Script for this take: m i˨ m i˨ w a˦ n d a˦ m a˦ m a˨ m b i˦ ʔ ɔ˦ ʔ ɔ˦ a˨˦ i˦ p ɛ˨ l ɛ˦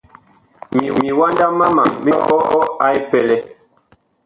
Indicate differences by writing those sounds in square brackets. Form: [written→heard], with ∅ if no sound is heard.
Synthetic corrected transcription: m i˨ m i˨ w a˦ n d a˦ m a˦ m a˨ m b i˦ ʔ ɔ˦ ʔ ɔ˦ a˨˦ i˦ p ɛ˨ l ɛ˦